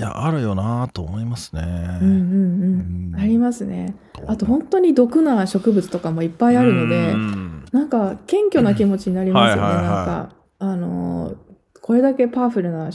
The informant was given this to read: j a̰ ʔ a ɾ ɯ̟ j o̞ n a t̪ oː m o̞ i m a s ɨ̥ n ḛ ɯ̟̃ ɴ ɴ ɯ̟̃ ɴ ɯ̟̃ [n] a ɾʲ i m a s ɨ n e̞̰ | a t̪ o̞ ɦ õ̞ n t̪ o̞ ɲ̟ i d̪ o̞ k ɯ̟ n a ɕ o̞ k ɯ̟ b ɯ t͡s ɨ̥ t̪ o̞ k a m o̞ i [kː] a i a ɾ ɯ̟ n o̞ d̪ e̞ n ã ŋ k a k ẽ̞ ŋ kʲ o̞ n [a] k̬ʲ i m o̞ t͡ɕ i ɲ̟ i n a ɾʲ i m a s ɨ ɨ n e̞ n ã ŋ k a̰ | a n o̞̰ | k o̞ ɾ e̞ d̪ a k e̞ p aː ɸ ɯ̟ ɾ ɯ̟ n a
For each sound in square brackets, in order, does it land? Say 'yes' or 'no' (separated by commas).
no, no, yes